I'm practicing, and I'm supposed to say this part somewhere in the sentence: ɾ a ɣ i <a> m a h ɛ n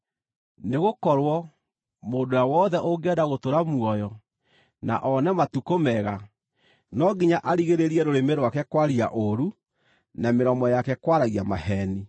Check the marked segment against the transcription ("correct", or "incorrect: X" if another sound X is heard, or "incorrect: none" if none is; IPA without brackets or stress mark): correct